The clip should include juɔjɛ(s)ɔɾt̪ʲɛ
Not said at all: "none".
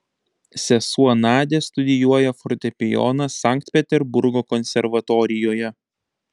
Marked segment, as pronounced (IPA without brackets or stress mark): f